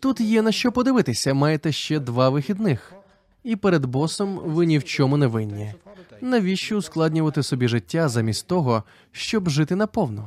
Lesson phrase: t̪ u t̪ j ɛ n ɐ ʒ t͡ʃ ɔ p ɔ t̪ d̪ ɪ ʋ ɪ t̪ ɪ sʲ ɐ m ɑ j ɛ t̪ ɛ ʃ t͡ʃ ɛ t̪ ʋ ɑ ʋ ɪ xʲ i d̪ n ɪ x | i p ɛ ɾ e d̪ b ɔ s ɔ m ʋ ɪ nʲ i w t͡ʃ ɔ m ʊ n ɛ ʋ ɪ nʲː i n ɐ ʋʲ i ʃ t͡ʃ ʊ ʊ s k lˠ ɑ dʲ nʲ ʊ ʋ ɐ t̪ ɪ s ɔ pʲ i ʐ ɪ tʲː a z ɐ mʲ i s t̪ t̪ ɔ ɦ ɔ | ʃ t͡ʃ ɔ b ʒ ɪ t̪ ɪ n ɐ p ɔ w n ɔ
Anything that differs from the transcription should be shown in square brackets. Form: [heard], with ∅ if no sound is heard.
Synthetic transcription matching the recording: t̪ u t̪ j ɛ n ɐ [ʃ] t͡ʃ ɔ p ɔ [∅] d̪ ɪ ʋ ɪ t̪ ɪ sʲ ɐ m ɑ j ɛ t̪ ɛ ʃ t͡ʃ ɛ [d̪] ʋ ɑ ʋ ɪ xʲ i d̪ n ɪ x | i p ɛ ɾ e d̪ b ɔ s ɔ m ʋ ɪ nʲ i w t͡ʃ ɔ m ʊ n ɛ ʋ ɪ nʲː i n ɐ ʋʲ i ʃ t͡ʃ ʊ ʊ s k lˠ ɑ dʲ nʲ ʊ ʋ ɐ t̪ ɪ s ɔ [bʲ] i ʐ ɪ tʲː a z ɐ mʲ i s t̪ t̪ ɔ ɦ ɔ | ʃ t͡ʃ ɔ b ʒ ɪ t̪ ɪ n ɐ p ɔ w n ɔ